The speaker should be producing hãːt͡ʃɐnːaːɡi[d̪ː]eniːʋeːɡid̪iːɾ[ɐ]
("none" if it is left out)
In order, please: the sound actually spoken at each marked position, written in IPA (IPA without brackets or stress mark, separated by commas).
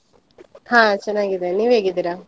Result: d̪, a